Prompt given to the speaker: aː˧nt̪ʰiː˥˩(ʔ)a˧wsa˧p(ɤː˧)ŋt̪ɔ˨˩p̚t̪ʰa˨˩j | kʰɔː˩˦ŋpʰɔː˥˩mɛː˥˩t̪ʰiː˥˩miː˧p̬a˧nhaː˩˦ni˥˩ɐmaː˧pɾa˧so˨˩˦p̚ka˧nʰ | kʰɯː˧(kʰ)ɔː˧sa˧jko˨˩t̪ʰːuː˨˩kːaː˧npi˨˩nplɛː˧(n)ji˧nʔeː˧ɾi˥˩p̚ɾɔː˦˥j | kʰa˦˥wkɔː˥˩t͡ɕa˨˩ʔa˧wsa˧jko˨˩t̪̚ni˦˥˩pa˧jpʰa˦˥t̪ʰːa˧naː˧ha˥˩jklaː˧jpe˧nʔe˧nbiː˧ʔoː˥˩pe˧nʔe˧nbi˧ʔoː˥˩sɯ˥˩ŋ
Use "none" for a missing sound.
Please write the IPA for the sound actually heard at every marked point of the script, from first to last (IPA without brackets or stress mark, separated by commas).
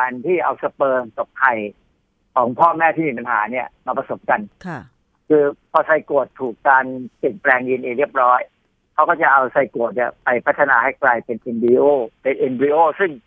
ʔ, ɤː˧, pʰ, ŋ